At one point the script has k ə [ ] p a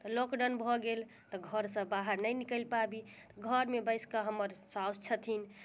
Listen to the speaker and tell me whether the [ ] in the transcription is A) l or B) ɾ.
A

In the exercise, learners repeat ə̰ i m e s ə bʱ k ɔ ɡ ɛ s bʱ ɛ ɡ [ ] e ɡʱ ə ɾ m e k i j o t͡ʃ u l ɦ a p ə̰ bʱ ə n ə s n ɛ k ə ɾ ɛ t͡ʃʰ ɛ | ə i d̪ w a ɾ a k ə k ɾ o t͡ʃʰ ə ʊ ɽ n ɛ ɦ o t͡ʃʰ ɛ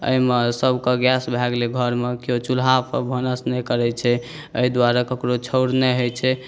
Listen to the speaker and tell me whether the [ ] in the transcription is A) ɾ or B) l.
B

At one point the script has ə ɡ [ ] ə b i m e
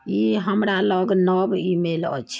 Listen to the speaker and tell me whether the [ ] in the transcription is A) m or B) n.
B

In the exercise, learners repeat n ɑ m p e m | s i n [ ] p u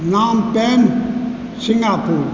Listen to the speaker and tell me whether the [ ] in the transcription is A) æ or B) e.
A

